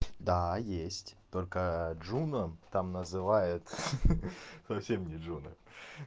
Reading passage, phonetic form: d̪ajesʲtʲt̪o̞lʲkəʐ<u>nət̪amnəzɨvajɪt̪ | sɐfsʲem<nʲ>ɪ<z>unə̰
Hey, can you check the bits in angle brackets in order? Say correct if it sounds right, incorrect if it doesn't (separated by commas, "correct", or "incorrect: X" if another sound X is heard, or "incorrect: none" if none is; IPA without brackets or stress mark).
correct, correct, incorrect: ʐ